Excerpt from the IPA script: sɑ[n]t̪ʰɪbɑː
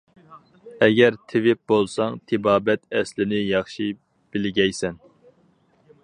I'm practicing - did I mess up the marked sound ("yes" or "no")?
yes